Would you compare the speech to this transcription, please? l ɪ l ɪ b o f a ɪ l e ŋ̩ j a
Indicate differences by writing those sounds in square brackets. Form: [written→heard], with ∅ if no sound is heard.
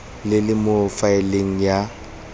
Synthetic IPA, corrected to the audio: l ɪ l ɪ [b→m] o f a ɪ l e ŋ̩ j a